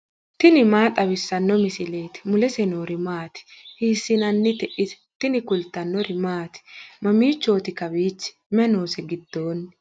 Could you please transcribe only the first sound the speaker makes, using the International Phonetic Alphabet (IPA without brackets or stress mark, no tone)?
t̪